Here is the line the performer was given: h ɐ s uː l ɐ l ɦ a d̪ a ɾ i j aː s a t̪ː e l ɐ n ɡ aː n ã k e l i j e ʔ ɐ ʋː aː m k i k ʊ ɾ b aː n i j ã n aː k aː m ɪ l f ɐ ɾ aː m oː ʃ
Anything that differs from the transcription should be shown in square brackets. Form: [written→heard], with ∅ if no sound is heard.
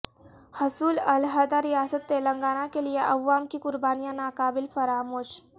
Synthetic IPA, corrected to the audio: h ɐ s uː l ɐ l ɦ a d̪ a ɾ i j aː s [a→ə] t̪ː e l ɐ [n→ŋ] ɡ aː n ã k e l i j e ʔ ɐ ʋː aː m k i k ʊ ɾ b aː n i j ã n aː k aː [m→b] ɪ l f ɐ ɾ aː m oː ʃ